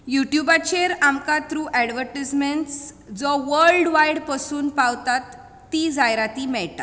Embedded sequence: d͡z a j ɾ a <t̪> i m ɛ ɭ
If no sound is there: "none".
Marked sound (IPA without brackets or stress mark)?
t̪